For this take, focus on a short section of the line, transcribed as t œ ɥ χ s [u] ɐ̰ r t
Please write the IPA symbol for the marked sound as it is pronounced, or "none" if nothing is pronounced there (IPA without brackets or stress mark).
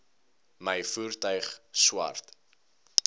w